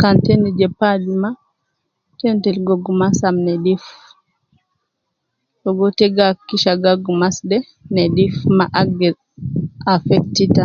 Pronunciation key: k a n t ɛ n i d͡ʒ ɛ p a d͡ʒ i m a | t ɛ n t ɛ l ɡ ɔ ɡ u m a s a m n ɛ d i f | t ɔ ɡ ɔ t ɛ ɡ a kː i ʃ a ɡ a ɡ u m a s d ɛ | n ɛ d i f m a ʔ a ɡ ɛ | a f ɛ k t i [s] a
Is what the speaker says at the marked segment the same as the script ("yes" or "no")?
no